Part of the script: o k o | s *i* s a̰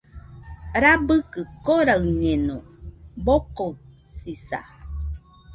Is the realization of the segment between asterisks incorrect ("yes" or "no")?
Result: no